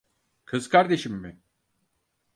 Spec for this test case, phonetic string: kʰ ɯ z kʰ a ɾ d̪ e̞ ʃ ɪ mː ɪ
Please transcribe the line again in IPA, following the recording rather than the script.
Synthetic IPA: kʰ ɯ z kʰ a ɾ d̪ e̞ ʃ i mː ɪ